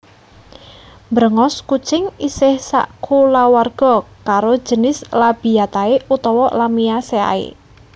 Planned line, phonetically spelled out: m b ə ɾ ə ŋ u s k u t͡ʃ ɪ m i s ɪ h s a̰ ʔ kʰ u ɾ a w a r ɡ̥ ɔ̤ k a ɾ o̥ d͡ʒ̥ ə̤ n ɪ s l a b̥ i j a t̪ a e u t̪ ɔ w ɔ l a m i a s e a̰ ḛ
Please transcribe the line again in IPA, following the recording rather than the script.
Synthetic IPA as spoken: m b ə ɾ ə ŋ ɔ s k u t͡ʃ ɪ ŋ i s ɪ h s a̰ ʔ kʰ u l a w a r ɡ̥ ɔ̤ k a ɾ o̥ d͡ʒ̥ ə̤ n ɪ s l a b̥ i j a t̪ a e u t̪ ɔ w ɔ l a m i a s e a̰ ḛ

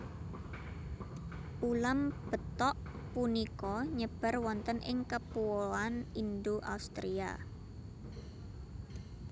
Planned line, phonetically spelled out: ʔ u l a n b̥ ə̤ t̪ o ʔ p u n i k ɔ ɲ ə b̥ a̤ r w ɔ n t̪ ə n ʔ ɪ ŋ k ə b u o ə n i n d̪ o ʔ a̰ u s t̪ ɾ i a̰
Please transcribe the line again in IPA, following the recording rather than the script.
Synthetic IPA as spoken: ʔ u l a m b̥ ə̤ t̪ ɔ ʔ p u n i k ɔ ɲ ə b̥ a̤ r w ɔ n t̪ ə n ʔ ɪ ŋ k ə p u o a n i n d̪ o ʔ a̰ u s t̪ ɾ i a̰

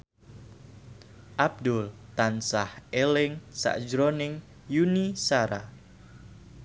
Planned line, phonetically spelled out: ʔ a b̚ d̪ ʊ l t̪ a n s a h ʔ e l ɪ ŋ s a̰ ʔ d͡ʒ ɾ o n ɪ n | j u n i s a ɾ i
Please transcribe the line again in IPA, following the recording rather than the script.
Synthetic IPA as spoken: ʔ a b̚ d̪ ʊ l t̪ a n s a h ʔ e l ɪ ŋ s a̰ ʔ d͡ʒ ɾ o n ɪ ŋ | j u n i s a ɾ a

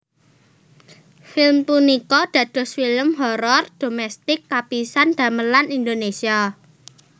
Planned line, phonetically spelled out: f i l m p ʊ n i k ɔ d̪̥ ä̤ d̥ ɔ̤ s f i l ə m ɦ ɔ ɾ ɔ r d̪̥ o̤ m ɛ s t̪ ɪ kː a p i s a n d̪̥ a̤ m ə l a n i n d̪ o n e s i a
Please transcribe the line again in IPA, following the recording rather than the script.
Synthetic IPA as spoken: f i l m p u n i k ɔ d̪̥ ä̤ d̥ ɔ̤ s f i l ə m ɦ ɔ ɾ ɔ r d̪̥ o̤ m ɛ s t̪ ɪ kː a p i s a n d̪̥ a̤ m ə l a n i n d̪ o n e s i a

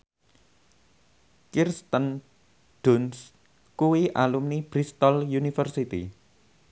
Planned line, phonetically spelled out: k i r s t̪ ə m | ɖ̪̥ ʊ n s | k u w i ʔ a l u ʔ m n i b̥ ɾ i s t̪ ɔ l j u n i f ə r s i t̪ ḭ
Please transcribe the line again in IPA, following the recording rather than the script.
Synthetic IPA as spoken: k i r s t̪ ə n | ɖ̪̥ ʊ n s | k u w i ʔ a l u m n i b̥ ɾ i s t̪ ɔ l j u n i f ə r s i t̪ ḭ

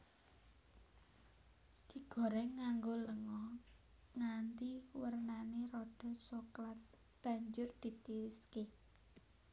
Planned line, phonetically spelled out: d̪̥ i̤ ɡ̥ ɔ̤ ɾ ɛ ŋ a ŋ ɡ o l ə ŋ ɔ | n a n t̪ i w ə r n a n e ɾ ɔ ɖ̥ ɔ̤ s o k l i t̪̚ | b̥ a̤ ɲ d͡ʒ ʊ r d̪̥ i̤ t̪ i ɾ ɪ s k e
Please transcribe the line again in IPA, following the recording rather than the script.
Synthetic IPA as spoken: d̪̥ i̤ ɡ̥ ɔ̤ ɾ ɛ ŋ a ŋ ɡ o l ə ŋ ɔ | ŋ a n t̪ i w ə r n a n e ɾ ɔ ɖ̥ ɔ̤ s o k l a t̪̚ | b̥ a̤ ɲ d͡ʒ ʊ r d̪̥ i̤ t̪ i ɾ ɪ s k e

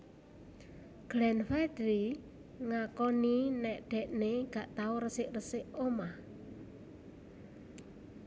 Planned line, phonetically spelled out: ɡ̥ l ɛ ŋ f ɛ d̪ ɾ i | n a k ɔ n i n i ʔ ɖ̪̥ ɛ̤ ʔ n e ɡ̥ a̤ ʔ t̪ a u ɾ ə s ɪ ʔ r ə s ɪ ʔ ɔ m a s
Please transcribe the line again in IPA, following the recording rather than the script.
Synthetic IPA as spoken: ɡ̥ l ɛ n f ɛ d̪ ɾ i | ŋ a k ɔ n i n ɛ ʔ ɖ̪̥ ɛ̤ ʔ n e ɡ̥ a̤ ʔ t̪ a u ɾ ə s ɪ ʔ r ə s ɪ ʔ o m a h

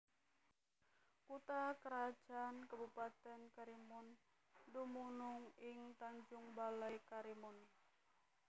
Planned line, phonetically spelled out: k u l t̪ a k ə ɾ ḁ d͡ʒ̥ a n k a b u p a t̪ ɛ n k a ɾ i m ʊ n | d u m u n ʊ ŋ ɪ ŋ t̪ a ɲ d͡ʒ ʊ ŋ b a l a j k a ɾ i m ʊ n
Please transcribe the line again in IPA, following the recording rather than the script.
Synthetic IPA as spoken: k u t̪ a k ə ɾ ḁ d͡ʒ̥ a n k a b u p a t̪ ɛ n k a ɾ i m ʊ n | d u m u n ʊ ŋ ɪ ŋ t̪ a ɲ d͡ʒ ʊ ŋ b a l a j k a ɾ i m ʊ n

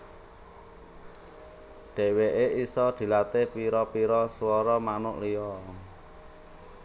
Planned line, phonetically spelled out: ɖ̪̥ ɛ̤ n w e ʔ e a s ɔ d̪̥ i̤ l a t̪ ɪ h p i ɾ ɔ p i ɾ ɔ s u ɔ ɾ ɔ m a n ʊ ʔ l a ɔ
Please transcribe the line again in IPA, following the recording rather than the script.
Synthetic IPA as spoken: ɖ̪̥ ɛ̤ w e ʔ e i s ɔ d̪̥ i̤ l a t̪ ɪ h p i ɾ ɔ p i ɾ ɔ s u ɔ ɾ ɔ m a n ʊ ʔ l i ɔ

